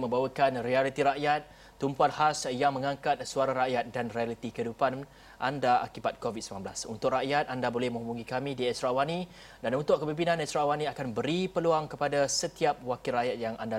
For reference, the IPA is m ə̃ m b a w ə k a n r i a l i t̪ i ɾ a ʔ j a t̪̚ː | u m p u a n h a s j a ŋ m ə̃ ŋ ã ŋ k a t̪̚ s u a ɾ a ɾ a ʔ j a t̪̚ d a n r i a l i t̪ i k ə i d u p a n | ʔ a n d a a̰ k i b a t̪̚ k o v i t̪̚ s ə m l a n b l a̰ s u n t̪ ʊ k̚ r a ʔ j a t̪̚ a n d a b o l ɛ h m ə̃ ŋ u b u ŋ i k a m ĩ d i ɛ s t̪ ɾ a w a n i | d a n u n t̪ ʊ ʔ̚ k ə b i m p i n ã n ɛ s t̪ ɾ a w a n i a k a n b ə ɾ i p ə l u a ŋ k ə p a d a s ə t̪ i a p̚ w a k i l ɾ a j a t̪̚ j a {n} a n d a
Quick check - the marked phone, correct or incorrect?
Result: incorrect